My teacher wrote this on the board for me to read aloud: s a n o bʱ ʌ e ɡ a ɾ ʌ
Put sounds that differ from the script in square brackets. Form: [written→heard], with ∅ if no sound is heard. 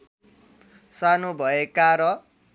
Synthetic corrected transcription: s a n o bʱ ʌ e [ɡ→k] a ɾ ʌ